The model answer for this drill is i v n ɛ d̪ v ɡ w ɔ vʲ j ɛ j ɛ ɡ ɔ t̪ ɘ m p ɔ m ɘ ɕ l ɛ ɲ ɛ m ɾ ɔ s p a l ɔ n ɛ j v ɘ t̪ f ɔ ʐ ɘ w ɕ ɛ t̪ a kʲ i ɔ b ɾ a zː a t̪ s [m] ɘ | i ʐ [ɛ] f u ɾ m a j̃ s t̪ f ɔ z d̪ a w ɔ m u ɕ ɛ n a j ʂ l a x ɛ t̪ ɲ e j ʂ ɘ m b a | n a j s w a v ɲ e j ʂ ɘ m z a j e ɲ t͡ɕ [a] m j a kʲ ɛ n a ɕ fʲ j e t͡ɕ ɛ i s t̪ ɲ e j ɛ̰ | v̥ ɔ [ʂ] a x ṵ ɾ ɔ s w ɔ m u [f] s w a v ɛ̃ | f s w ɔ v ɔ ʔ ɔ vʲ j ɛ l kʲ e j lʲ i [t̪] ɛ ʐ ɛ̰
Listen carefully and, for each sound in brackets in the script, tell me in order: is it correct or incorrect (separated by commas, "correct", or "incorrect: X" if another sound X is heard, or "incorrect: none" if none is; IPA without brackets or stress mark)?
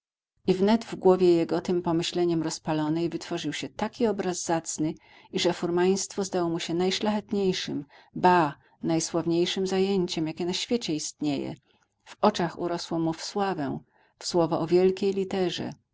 incorrect: n, correct, incorrect: ɛ, incorrect: t͡ʂ, correct, correct